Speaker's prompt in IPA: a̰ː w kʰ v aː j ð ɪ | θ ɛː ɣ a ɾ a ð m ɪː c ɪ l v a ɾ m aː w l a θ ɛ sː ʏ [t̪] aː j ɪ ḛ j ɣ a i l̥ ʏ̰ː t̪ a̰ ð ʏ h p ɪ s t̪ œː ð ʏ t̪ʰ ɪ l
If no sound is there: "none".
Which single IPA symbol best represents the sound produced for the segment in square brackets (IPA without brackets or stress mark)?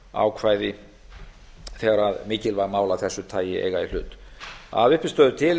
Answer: t̪ʰ